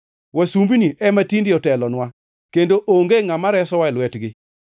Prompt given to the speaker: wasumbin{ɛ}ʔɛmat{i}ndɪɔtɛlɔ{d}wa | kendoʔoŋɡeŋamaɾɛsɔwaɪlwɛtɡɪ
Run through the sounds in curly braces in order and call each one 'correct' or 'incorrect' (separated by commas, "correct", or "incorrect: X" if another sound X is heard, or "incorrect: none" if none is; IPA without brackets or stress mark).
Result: incorrect: i, correct, incorrect: n